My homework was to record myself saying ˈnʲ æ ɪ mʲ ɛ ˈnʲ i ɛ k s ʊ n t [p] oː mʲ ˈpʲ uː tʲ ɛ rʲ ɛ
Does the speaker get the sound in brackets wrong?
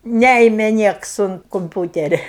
yes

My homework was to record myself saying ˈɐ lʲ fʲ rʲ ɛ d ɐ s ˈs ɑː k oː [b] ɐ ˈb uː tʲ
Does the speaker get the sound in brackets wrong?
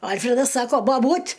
no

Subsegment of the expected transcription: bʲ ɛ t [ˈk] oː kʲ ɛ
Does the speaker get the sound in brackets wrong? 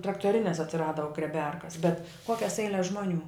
no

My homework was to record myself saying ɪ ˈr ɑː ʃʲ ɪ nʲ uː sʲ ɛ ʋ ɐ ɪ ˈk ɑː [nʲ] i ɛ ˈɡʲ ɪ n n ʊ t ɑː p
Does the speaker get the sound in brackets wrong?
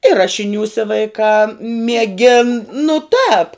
yes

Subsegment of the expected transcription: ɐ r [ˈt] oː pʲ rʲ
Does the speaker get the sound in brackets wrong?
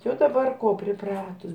yes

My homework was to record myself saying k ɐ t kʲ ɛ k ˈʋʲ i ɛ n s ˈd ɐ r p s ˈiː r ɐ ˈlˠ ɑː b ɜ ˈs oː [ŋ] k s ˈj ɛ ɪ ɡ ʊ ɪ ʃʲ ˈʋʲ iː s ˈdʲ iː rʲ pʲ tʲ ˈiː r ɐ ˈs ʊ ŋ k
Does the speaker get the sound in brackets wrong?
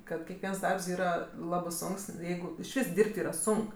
no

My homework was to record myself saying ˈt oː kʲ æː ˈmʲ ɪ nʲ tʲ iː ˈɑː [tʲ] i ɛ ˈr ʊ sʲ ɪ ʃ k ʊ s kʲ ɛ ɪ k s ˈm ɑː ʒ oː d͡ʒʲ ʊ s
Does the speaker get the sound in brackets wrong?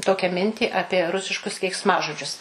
yes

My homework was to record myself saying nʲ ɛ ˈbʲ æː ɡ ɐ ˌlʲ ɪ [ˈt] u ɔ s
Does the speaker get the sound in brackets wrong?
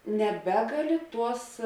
no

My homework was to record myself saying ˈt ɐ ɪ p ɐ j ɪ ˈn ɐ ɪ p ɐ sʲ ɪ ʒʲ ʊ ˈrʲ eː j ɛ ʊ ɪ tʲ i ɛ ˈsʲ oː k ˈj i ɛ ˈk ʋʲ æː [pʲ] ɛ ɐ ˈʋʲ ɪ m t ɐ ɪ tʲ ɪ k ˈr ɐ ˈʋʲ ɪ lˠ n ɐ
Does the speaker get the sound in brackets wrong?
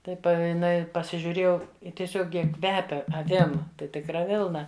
no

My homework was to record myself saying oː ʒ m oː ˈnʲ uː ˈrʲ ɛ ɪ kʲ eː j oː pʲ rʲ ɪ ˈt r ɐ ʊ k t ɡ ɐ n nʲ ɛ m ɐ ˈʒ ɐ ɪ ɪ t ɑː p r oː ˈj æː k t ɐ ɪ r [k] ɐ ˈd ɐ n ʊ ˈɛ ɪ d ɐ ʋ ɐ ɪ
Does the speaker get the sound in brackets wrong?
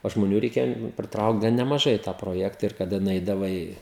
no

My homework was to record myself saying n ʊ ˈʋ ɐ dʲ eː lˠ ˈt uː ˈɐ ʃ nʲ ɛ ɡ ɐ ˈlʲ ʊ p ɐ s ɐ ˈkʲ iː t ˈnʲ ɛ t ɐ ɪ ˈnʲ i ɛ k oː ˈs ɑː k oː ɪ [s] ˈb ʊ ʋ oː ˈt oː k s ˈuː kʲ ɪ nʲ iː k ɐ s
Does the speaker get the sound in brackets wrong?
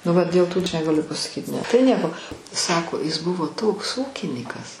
no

